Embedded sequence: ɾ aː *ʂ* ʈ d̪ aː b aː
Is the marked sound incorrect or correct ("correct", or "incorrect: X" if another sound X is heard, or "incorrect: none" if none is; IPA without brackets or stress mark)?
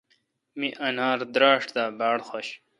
correct